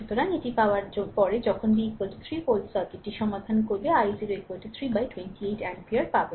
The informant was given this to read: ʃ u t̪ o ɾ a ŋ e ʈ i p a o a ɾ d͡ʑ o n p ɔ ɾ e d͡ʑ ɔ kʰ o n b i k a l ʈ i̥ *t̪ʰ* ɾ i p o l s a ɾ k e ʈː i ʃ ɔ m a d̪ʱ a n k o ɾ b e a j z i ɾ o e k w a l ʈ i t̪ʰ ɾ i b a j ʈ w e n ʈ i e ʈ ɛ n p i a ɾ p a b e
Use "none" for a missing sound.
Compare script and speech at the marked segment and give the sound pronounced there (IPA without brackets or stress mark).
t̪ʰ